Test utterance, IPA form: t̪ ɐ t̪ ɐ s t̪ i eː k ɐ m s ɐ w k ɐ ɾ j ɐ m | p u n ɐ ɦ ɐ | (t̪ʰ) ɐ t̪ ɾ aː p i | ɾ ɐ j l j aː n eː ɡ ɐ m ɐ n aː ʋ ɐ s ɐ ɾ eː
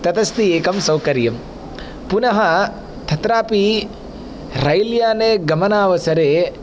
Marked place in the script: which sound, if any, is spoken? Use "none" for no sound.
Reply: t̪ʰ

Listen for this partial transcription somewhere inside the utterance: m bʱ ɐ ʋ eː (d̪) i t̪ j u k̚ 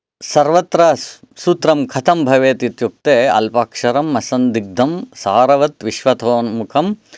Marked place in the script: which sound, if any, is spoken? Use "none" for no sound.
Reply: t̪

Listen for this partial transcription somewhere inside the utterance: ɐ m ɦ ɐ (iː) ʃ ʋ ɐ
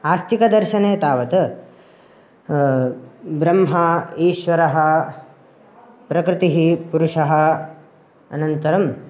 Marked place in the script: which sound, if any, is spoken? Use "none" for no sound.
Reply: iː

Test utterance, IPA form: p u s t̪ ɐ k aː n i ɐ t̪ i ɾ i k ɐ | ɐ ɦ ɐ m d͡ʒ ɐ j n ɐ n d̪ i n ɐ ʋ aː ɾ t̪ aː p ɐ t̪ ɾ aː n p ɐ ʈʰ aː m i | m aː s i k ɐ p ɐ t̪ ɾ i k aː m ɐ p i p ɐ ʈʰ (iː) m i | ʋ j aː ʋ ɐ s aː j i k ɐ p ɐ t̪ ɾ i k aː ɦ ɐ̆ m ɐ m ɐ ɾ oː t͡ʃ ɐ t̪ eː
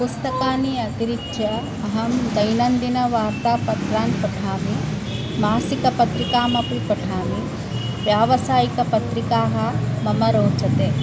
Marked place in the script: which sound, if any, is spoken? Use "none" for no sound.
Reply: aː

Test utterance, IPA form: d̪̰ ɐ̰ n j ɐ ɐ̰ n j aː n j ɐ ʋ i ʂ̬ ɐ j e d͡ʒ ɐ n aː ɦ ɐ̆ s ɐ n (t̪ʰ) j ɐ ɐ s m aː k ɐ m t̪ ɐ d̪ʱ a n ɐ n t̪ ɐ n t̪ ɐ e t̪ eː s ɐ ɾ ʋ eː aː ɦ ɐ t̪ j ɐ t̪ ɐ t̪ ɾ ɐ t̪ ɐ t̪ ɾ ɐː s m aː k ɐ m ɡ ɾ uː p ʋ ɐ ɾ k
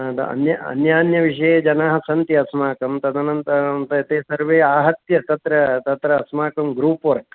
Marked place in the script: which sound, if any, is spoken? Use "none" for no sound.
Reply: t̪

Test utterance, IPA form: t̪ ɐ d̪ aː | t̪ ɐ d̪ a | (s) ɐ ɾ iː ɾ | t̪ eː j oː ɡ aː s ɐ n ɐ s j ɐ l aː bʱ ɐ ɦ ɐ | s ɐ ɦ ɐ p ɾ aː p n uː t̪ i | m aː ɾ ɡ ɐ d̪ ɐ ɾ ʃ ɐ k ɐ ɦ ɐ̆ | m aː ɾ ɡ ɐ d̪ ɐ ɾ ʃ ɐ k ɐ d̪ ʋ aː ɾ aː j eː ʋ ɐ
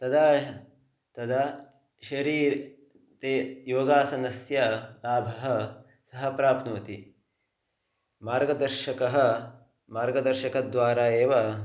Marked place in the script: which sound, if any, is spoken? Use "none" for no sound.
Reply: ʃ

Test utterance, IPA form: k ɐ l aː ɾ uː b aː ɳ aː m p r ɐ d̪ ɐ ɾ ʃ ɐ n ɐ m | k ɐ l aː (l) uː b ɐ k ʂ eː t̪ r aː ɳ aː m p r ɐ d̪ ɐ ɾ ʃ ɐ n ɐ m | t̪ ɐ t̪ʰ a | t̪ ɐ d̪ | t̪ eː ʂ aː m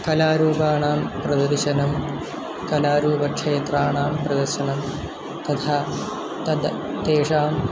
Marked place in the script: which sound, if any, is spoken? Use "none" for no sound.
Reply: ɾ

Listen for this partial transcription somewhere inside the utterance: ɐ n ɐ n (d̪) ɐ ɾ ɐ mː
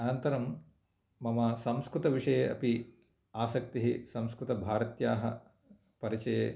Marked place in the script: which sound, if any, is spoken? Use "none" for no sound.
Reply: t̪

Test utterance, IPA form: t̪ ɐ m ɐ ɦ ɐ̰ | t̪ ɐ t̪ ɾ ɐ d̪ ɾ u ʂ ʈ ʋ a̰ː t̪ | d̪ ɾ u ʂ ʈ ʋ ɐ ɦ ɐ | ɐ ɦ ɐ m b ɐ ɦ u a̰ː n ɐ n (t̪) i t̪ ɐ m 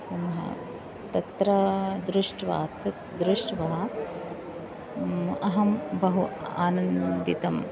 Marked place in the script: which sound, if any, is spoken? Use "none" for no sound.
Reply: d̪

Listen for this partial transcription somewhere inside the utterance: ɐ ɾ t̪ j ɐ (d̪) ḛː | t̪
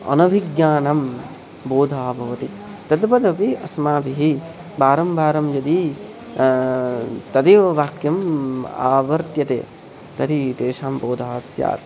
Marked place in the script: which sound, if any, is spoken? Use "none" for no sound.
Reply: t̪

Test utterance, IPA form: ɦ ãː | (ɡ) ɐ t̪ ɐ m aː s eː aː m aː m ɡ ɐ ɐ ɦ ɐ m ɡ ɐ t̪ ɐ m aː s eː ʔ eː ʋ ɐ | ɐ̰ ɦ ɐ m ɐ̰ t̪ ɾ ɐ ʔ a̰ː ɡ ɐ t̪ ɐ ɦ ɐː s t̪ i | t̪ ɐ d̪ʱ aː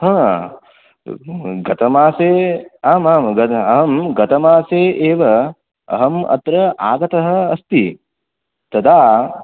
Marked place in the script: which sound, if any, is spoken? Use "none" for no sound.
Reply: ɡ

